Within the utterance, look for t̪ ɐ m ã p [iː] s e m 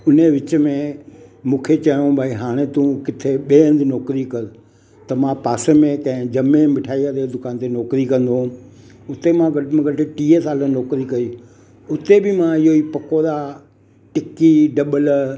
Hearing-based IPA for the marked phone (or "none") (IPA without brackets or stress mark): aː